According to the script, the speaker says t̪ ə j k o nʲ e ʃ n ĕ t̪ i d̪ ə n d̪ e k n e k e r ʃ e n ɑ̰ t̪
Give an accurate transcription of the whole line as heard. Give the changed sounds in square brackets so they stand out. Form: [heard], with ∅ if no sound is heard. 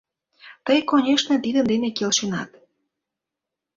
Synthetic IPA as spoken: t̪ ə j k o nʲ e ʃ n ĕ t̪ i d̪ ə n d̪ e [∅] n e k e [l] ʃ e n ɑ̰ t̪